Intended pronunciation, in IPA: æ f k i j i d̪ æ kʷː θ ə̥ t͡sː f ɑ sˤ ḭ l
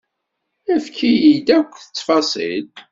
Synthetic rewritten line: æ f k i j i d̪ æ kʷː θ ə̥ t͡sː f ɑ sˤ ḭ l